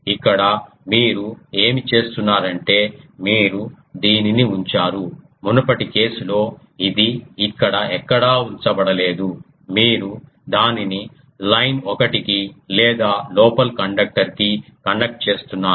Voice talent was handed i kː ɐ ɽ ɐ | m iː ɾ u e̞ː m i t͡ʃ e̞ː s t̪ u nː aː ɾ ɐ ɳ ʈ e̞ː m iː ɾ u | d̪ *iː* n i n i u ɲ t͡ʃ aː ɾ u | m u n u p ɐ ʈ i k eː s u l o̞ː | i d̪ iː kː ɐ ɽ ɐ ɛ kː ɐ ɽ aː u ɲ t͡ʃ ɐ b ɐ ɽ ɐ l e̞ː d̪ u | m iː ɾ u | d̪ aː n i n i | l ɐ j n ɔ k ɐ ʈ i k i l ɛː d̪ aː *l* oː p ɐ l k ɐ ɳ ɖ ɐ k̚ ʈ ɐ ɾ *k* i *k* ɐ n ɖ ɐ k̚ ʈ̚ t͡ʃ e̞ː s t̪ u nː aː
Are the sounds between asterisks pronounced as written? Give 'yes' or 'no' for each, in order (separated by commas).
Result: yes, yes, yes, yes